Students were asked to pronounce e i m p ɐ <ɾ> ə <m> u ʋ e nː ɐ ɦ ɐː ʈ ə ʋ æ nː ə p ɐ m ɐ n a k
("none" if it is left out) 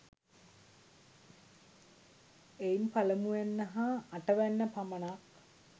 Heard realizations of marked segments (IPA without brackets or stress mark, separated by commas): l, m